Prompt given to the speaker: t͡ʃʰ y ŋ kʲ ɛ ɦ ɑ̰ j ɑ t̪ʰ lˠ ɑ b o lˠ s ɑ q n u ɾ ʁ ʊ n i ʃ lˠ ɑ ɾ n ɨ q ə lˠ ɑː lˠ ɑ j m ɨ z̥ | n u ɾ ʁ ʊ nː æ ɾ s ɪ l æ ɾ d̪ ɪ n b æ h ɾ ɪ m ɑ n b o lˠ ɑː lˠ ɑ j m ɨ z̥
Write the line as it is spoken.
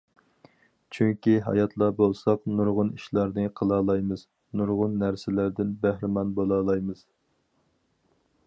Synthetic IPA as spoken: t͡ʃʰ y ŋ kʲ i ɦ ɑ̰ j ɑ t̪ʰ lˠ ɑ b o lˠ s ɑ q n u ɾ ʁ ʊ n i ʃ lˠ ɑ ɾ n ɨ qʰ ə lˠ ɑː lˠ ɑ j m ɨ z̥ | n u ɾ ʁ ʊ nː æ ɾ s ɪ l æ ɾ d̪ ɪ n b æ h ɾ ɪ m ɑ n b o lˠ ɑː lˠ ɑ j m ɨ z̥